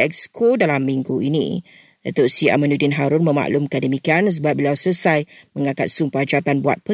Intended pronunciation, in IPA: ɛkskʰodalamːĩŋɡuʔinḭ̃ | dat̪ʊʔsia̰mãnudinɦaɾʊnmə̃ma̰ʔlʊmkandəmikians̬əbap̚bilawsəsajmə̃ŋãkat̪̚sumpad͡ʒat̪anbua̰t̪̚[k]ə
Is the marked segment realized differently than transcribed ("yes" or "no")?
yes